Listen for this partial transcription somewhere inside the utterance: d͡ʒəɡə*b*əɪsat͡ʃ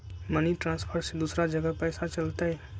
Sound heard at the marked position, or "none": p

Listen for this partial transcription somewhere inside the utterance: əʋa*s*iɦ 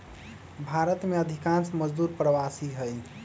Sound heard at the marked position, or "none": s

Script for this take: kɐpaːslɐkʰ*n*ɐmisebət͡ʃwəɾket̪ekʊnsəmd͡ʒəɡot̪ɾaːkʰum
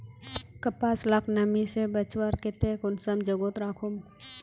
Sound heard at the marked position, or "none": n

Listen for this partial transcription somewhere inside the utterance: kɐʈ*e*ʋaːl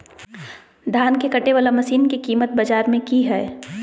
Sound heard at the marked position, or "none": e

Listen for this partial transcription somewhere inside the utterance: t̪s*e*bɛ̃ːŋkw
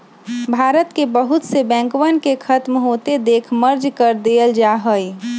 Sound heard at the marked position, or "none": e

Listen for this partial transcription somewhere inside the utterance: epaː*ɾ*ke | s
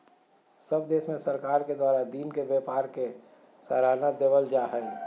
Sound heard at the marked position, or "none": ɾ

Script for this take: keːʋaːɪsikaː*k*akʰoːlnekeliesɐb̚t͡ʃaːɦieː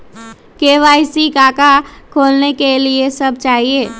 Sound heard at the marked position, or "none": k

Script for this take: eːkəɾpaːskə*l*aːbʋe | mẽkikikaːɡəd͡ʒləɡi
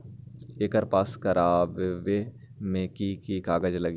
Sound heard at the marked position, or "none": ɾ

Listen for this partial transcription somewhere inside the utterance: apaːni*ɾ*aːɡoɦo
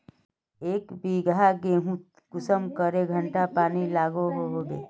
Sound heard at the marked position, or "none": l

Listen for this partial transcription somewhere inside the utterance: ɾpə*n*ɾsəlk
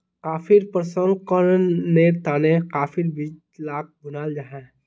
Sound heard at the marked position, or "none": none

